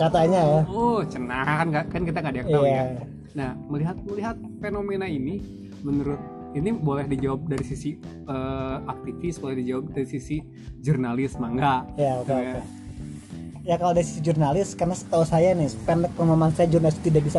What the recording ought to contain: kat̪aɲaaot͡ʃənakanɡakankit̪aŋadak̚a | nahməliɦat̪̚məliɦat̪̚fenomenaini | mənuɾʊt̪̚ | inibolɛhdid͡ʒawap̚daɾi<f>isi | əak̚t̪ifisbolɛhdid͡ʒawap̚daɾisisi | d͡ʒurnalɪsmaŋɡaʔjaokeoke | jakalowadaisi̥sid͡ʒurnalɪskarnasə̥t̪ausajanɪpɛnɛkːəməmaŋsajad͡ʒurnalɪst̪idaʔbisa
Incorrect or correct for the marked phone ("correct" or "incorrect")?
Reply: incorrect